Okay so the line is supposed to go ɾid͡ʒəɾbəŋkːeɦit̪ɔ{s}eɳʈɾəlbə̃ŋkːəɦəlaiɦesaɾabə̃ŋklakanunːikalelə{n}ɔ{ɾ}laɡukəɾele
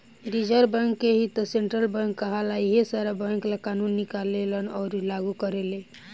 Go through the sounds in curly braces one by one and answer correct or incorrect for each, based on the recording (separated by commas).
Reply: correct, correct, correct